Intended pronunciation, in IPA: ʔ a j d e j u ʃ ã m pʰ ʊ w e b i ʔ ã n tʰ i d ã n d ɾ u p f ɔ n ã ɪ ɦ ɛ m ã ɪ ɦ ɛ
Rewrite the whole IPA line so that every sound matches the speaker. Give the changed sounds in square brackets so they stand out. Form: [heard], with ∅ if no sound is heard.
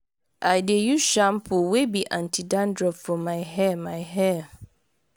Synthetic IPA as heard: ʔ a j d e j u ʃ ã m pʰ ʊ w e b i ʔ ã n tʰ i d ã n d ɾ [ɔ] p f ɔ [m] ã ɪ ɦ ɛ m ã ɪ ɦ ɛ